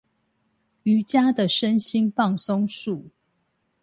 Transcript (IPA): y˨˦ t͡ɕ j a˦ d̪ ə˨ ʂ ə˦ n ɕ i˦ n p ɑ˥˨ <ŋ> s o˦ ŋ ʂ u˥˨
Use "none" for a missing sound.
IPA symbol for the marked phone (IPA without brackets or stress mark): ŋ